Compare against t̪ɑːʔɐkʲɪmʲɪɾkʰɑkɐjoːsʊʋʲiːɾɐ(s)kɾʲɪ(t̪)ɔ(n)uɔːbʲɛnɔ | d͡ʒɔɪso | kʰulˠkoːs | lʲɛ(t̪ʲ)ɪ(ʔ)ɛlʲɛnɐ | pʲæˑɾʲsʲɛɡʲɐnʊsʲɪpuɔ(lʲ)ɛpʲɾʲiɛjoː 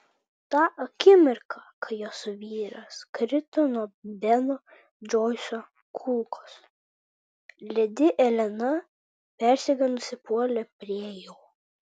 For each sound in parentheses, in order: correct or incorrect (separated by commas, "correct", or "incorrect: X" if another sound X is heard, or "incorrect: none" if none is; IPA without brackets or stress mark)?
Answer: correct, correct, correct, incorrect: d̪ʲ, correct, correct